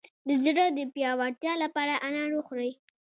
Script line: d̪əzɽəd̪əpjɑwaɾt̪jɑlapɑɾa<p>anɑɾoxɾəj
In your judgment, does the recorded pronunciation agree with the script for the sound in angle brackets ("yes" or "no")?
no